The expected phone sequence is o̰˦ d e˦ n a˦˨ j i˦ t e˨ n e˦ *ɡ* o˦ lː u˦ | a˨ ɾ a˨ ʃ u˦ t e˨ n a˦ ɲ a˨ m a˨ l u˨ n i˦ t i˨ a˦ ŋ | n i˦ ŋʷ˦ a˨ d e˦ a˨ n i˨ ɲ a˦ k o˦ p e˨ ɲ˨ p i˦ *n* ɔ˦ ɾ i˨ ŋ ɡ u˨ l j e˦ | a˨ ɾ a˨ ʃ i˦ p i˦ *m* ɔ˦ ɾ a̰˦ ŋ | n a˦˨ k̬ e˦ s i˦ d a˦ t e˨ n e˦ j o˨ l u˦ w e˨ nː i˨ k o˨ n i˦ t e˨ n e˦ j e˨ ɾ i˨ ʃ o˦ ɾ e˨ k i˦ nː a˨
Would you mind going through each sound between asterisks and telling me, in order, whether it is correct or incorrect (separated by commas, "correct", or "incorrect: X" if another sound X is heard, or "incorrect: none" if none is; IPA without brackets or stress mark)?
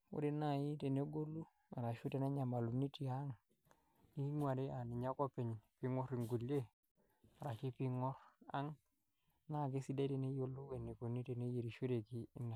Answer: correct, incorrect: ŋ, incorrect: ŋ